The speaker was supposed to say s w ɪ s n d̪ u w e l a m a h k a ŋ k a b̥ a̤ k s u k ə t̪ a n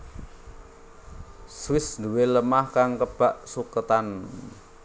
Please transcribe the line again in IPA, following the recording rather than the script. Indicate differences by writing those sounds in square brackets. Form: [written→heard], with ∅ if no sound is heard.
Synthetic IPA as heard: s w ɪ s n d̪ u w e l [a→ə] m a h k a ŋ k [a→ə] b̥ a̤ [k→ʔ] s u k ə t̪ a n